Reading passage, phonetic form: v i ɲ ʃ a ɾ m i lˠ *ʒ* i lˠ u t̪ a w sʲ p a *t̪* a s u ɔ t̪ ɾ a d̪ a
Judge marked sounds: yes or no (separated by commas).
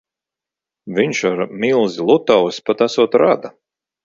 no, yes